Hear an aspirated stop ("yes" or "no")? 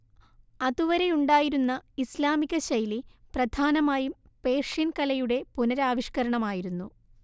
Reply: no